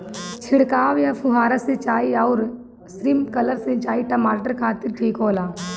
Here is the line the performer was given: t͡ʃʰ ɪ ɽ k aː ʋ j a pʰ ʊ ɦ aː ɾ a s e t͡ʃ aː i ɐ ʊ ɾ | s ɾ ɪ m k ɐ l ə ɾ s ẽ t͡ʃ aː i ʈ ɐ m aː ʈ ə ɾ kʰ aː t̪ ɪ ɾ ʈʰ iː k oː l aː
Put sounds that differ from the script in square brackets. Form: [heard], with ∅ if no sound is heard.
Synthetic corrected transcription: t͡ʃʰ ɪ ɽ k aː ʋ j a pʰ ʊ ɦ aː ɾ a s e t͡ʃ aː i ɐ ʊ ɾ | s ɾ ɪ m k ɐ l ə ɾ s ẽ t͡ʃ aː i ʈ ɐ m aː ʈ ə ɾ kʰ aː t̪ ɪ ɾ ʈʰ iː k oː l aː